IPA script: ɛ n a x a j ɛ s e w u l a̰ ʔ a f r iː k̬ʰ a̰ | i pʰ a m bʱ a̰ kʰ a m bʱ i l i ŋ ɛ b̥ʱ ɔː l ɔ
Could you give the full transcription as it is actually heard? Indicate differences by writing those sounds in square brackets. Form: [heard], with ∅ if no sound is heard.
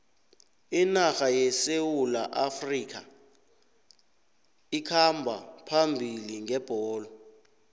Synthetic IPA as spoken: [i] n a x a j ɛ s e w u l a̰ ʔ a f r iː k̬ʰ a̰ | i [kʰ] a m bʱ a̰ [pʰ] a m bʱ i l i ŋ ɛ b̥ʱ ɔː l ɔ